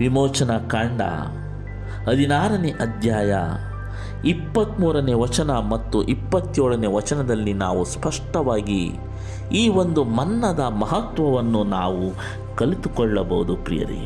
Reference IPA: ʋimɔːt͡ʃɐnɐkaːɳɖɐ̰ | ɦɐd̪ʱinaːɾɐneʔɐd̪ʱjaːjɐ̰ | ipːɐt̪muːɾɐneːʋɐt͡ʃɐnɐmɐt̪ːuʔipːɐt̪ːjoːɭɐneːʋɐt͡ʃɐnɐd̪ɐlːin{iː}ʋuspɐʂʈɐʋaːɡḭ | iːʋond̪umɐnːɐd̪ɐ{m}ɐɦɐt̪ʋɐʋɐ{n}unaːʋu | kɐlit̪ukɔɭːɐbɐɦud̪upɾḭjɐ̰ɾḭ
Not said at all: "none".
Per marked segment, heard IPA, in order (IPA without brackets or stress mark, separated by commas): aː, m, nː